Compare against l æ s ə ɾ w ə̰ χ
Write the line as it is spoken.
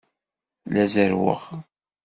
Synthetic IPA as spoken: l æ z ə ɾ w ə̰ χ